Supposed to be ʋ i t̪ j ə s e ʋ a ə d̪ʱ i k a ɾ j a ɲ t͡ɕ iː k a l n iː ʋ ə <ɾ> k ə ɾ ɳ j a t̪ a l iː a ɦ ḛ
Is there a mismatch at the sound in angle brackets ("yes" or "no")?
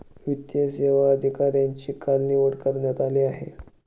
yes